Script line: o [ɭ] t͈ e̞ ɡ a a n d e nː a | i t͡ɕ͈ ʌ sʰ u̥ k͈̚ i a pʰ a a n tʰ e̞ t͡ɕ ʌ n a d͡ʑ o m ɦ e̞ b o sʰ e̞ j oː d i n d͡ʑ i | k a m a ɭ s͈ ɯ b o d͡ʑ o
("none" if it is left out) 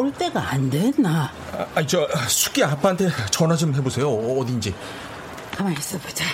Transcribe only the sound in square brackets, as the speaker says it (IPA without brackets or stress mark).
ɭ